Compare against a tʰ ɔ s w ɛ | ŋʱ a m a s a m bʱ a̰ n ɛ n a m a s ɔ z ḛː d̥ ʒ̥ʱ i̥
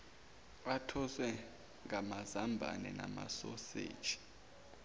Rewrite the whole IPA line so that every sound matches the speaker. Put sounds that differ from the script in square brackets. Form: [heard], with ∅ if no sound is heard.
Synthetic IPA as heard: a tʰ ɔ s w ɛ | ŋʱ a m a [z] a m bʱ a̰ n ɛ n a m a s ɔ [s] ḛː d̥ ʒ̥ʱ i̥

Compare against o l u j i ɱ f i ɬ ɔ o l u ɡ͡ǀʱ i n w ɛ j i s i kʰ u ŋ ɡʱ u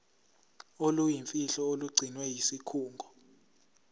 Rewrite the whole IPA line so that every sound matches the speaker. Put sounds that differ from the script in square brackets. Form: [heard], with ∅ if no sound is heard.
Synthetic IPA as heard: o l u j i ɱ f i ɬ ɔ o l u ɡ͡ǀʱ i n w ɛ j i s i kʰ [uː] ŋ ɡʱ [ɔ]

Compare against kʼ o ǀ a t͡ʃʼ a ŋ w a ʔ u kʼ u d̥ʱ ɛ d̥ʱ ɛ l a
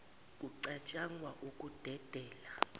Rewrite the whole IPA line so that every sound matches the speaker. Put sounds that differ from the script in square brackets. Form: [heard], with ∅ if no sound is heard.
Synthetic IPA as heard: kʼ [u] ǀ a t͡ʃʼ a ŋ w a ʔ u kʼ u d̥ʱ ɛ d̥ʱ [ɛː] l a

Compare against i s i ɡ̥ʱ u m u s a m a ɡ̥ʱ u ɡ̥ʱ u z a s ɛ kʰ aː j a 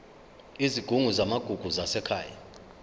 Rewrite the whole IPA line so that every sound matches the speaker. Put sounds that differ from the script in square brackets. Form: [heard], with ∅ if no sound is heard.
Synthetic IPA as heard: i [z] i ɡ̥ʱ u [ŋ] u [z] a m a ɡ̥ʱ u ɡ̥ʱ u z a s ɛ kʰ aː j a

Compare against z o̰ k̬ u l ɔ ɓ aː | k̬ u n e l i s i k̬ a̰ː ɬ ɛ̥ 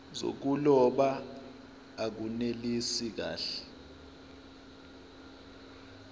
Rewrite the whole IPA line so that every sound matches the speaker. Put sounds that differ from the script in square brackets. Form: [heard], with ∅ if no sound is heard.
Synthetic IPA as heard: z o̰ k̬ u l ɔ ɓ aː | k̬ u n e l i s i k̬ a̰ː ɬ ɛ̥

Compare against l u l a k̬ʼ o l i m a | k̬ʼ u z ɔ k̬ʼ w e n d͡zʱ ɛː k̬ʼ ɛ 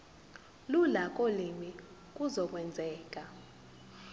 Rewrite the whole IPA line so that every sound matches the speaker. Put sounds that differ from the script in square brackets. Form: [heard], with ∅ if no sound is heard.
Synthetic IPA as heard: l u l a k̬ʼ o l i m [i] | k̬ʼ u z ɔ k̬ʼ w [ɛ] n d͡zʱ ɛː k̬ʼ [a]

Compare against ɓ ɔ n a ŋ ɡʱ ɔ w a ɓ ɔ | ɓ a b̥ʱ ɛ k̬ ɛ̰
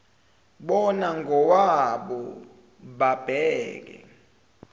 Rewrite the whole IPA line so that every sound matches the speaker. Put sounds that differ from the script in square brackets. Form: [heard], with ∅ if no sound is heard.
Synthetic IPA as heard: ɓ ɔ n a ŋ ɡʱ ɔ w a ɓ ɔ | ɓ a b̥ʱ [ɛː] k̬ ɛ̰

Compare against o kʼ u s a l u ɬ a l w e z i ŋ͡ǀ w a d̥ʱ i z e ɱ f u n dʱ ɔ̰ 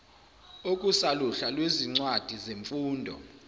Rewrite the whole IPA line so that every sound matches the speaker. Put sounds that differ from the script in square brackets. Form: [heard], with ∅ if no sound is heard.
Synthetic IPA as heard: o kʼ u s a l u ɬ a l w e z i ŋ͡ǀ w a d̥ʱ i z e ɱ f [uː] n dʱ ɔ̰

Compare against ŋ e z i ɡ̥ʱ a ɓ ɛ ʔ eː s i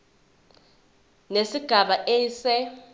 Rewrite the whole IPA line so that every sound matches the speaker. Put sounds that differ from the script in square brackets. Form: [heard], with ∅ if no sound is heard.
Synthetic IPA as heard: [n] e [s] i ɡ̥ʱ a ɓ [a] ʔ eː s [ɛ]

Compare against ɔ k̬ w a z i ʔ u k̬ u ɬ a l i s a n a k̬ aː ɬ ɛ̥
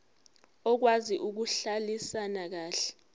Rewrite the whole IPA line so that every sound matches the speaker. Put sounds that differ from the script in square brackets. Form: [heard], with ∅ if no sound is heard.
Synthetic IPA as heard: ɔ k̬ w a z i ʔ u k̬ u ɬ a l i s a n a k̬ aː ɬ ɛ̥

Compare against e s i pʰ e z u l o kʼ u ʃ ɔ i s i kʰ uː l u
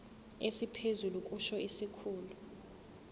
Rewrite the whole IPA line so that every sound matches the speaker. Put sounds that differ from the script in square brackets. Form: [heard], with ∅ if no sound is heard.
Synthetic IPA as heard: e s i pʰ e z u l [u] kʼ u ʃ ɔ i s i kʰ uː l u

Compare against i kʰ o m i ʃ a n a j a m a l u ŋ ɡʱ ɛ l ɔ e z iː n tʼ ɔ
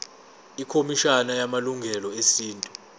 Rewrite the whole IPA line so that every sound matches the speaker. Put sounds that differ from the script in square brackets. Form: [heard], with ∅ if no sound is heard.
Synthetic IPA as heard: i kʰ o m i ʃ a n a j a m a l u ŋ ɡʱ ɛ l ɔ e [s] iː n tʼ [u]

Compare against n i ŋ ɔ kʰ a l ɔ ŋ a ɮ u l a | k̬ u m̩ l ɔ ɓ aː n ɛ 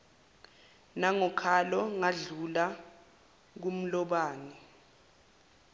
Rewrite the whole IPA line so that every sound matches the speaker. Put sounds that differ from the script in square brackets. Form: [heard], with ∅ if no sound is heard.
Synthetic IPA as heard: n [a] ŋ ɔ kʰ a l ɔ ŋ a ɮ u l a | k̬ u m̩ l ɔ ɓ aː n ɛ

